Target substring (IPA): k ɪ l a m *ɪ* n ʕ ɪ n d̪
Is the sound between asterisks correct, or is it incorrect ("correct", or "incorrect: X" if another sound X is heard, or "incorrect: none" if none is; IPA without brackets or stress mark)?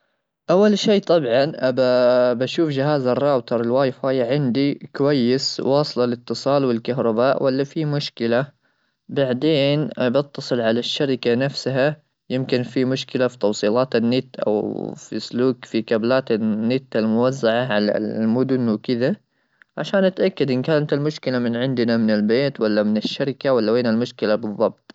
correct